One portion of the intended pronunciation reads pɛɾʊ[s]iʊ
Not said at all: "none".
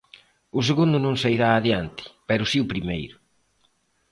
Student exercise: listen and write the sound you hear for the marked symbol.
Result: s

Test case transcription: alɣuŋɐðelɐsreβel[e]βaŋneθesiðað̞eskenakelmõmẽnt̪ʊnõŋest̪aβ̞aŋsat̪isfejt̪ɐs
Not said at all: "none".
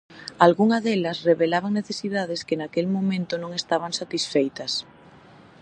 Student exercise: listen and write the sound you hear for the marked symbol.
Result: a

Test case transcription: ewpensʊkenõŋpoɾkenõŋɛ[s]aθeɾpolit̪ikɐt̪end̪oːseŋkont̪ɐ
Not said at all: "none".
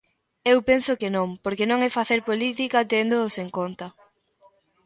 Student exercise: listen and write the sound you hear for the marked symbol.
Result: f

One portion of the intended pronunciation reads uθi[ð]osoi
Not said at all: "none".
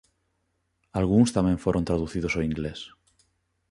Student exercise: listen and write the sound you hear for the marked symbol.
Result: ð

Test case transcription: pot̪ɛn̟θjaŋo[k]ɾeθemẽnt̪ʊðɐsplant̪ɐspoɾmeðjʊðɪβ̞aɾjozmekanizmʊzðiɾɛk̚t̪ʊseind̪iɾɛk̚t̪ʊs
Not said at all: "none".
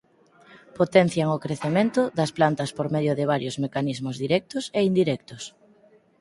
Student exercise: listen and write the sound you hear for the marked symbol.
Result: k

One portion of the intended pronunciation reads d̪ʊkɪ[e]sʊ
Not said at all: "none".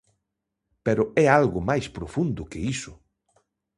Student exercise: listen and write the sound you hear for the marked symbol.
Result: i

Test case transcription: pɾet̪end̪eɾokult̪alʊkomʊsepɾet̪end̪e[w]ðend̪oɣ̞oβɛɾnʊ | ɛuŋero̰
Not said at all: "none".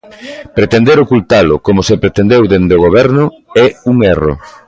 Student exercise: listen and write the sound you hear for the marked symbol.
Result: w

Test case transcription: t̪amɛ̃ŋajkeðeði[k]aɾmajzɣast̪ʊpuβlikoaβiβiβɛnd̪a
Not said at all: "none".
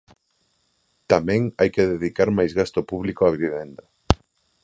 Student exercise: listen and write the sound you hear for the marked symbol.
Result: k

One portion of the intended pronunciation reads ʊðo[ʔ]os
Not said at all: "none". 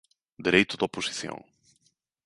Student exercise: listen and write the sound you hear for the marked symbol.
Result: p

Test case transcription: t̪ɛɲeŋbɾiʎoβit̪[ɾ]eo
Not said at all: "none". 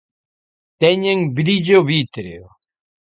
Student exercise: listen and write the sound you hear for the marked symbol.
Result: ɾ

